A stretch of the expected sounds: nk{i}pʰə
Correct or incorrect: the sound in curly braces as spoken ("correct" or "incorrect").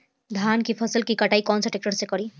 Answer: correct